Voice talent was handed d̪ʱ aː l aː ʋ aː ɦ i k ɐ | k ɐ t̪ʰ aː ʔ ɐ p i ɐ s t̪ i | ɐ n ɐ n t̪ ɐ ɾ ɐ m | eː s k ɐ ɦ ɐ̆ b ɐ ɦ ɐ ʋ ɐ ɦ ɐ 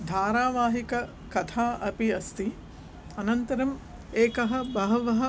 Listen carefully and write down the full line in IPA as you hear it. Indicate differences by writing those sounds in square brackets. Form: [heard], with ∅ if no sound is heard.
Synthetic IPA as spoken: d̪ʱ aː [ɾ] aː ʋ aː ɦ i k ɐ | k ɐ t̪ʰ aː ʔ ɐ p i ɐ s t̪ i | ɐ n ɐ n t̪ ɐ ɾ ɐ m | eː [∅] k ɐ ɦ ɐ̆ b ɐ ɦ ɐ ʋ ɐ ɦ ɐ

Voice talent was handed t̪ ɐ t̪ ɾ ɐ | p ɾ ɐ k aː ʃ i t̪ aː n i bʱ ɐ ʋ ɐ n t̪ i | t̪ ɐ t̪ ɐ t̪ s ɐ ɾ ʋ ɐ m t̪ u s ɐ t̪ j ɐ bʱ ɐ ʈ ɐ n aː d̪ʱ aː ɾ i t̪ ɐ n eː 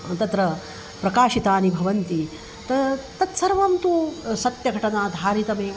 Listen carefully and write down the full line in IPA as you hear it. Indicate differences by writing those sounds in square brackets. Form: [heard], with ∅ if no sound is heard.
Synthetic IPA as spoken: t̪ ɐ t̪ ɾ ɐ | p ɾ ɐ k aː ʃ i t̪ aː n i bʱ ɐ ʋ ɐ n t̪ i | t̪ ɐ t̪ ɐ t̪ s ɐ ɾ ʋ ɐ m t̪ u s ɐ t̪ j ɐ [ɡʱ] ɐ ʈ ɐ n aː d̪ʱ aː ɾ i t̪ ɐ [m] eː

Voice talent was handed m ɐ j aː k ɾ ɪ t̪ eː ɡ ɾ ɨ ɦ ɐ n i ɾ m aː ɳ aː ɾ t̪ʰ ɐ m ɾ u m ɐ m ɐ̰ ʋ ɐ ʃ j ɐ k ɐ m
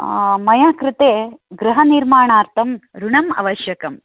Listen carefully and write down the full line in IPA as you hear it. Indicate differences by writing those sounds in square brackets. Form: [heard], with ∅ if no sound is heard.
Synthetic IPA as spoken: m ɐ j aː k ɾ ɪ t̪ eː ɡ ɾ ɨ ɦ ɐ n i ɾ m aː ɳ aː ɾ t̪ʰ ɐ m ɾ u [ɳ] ɐ m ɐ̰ ʋ ɐ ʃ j ɐ k ɐ m

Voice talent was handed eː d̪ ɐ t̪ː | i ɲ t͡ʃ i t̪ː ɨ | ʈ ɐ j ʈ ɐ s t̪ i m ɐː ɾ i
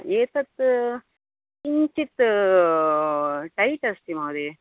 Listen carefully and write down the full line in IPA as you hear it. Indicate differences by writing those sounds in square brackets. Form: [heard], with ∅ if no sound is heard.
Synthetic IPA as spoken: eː [t̪] ɐ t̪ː | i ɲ t͡ʃ i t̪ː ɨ | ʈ ɐ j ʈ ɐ s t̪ i m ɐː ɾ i

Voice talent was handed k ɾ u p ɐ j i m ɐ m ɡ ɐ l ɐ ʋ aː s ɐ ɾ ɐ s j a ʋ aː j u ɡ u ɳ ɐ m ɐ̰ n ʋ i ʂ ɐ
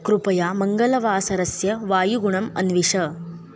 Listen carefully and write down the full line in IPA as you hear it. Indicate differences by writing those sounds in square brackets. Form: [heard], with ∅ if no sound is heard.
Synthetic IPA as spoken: k ɾ u p ɐ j [a] m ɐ [ŋ] ɡ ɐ l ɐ ʋ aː s ɐ ɾ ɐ s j [ɐ] ʋ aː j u ɡ u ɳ ɐ m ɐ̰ n ʋ i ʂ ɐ

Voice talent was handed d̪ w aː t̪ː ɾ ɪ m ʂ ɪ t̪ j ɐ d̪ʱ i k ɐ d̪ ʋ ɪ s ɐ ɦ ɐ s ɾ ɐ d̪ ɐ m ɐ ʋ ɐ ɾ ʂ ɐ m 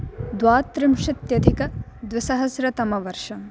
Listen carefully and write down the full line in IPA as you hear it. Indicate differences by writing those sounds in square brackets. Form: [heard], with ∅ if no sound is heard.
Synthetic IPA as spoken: d̪ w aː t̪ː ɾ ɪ m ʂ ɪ t̪ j ɐ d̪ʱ i k ɐ d̪ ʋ ɪ s ɐ ɦ ɐ s ɾ ɐ [t̪] ɐ m ɐ ʋ ɐ ɾ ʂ ɐ m

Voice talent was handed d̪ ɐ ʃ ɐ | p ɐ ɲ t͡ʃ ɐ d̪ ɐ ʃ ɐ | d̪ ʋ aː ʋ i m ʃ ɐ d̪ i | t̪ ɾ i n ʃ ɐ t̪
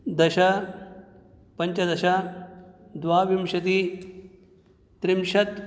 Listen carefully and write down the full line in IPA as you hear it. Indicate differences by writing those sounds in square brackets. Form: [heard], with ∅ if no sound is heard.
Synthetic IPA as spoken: d̪ ɐ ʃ ɐ | p ɐ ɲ t͡ʃ ɐ d̪ ɐ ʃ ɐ | d̪ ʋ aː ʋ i m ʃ ɐ [t̪] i | t̪ ɾ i [m] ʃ ɐ t̪

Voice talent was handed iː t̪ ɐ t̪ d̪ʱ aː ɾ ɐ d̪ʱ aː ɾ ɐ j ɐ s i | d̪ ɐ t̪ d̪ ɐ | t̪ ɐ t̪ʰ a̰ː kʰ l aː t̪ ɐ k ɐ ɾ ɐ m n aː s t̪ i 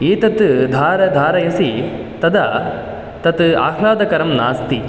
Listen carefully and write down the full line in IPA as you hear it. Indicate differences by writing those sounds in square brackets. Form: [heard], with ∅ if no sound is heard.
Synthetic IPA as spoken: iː t̪ ɐ t̪ d̪ʱ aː ɾ ɐ d̪ʱ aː ɾ ɐ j ɐ s i | [t̪] ɐ [∅] d̪ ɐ | t̪ ɐ [t̪] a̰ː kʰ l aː [d̪] ɐ k ɐ ɾ ɐ m n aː s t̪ i

